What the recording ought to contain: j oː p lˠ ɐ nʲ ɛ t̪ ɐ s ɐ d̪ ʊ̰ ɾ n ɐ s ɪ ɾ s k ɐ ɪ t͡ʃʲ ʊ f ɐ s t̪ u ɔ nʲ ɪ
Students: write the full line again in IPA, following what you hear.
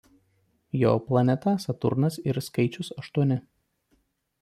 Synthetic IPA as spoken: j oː p lˠ ɐ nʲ ɛ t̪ ɐ s ɐ t̪ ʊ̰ ɾ n ɐ s ɪ ɾ s k ɐ ɪ t͡ʃʲ ʊ s ɐ ʃ t̪ u ɔ nʲ ɪ